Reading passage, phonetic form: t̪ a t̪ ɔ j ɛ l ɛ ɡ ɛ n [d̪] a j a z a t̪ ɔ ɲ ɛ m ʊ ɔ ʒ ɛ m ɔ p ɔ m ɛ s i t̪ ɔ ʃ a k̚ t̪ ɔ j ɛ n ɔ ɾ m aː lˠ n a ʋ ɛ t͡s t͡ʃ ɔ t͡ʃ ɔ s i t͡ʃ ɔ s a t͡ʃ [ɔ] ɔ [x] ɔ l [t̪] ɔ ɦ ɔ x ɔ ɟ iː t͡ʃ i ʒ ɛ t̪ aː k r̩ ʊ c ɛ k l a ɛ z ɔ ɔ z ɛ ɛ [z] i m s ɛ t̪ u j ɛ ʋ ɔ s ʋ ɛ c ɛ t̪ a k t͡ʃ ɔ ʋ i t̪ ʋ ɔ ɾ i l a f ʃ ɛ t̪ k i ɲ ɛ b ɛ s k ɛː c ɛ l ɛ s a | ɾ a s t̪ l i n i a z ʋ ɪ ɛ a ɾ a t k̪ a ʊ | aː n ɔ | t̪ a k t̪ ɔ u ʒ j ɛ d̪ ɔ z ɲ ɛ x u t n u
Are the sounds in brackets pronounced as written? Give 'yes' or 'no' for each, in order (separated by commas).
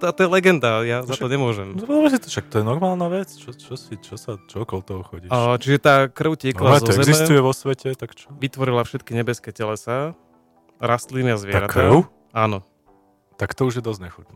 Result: yes, yes, no, yes, yes